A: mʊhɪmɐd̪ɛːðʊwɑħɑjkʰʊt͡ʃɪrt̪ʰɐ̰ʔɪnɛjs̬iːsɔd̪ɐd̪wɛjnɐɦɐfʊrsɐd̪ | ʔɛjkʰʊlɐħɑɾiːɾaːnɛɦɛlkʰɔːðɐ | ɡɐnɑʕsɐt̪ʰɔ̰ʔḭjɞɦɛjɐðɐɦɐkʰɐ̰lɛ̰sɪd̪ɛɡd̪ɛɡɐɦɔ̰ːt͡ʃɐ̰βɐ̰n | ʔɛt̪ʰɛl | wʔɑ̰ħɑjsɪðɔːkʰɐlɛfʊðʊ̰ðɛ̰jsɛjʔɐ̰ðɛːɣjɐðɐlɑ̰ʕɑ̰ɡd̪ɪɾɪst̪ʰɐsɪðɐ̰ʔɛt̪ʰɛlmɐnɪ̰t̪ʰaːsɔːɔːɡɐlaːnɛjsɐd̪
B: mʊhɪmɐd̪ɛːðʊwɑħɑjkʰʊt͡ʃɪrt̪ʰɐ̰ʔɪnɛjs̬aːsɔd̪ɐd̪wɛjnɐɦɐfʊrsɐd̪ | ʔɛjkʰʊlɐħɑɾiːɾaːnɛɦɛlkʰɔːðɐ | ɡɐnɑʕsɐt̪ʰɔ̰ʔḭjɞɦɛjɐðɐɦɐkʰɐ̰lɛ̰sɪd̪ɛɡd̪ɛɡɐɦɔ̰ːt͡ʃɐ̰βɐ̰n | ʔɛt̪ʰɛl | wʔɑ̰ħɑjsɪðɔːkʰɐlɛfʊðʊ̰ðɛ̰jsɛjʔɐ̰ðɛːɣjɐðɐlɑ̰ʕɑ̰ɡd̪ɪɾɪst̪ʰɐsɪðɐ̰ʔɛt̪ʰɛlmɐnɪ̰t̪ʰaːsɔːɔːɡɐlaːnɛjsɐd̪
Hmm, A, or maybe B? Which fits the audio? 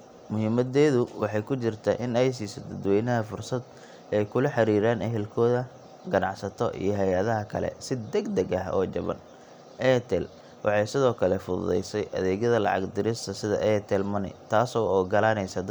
A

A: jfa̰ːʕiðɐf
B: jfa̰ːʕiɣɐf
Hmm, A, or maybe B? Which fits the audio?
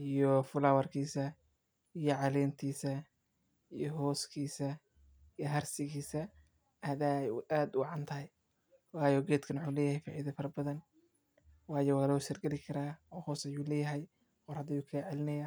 A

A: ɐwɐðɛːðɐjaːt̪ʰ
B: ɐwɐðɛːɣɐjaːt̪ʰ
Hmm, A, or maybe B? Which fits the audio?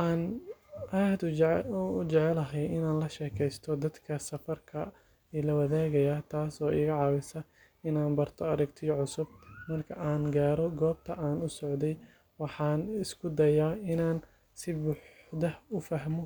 B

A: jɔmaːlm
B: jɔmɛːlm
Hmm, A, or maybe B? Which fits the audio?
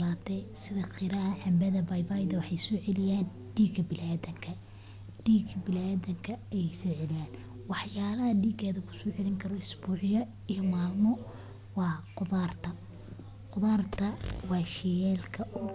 A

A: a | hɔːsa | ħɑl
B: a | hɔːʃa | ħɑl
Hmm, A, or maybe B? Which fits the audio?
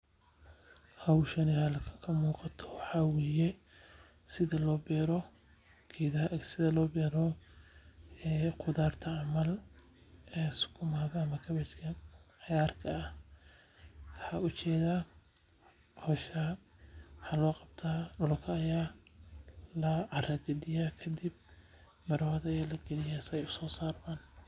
B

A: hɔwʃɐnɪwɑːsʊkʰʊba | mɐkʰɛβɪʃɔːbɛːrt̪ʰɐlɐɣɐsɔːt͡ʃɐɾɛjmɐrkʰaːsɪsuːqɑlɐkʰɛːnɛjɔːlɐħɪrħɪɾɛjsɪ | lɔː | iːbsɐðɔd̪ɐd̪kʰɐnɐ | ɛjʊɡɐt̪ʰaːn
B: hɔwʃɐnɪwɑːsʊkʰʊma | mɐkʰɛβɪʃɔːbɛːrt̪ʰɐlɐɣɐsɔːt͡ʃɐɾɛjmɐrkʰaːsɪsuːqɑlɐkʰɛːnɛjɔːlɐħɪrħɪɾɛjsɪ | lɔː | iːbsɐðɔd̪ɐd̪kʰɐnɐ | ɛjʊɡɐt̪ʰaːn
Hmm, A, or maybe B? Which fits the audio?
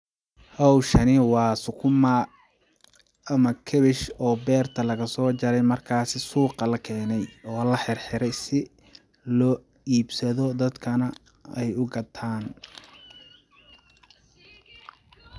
B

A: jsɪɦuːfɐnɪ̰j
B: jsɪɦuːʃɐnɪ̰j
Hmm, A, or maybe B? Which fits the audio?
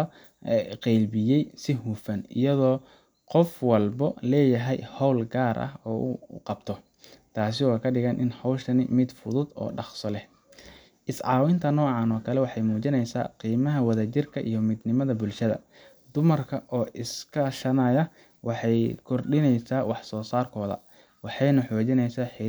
A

